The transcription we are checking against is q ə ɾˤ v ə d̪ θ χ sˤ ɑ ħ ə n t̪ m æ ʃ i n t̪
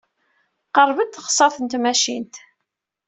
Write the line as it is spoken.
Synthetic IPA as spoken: q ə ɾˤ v ə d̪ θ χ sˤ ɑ θ ə n t̪ m æ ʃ i n t̪

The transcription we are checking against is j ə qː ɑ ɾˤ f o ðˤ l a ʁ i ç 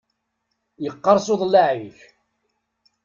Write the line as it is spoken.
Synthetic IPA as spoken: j ə qː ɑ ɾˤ s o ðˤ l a ʕ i ç

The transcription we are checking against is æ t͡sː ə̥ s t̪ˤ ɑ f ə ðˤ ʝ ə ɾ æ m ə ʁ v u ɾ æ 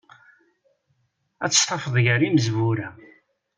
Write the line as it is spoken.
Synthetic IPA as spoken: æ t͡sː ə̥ s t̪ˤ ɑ f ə ðˤ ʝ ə ɾ i m ə z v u ɾ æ

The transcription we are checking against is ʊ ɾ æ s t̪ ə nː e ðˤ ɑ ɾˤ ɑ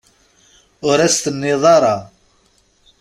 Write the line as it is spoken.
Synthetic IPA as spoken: ʊ ɾ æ s t̪ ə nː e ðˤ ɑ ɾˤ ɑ

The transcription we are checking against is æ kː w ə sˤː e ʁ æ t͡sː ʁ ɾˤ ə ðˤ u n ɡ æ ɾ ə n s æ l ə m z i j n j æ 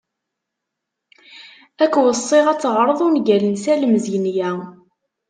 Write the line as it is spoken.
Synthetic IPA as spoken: æ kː w ə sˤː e ʁ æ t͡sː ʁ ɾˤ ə ðˤ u n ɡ æ l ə n s æ l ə m z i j n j æ

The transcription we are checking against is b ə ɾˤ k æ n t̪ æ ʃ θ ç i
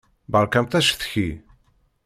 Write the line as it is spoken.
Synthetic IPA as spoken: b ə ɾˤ k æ m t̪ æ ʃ θ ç i

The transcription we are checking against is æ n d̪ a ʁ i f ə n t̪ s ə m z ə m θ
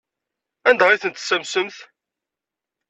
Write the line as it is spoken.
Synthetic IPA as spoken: æ n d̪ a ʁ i θ ə n t̪ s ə m s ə m θ

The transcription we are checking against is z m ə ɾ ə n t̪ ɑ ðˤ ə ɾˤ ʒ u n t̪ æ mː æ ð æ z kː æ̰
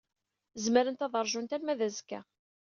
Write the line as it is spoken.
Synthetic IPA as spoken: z m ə ɾ ə n t̪ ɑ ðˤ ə ɾˤ ʒ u n t̪ æ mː æ ð æ z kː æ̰

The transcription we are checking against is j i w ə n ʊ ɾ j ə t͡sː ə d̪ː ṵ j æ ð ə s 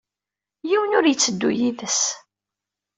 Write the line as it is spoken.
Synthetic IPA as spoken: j i w ə n ʊ ɾ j ə t͡sː ə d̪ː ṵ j i ð ə s

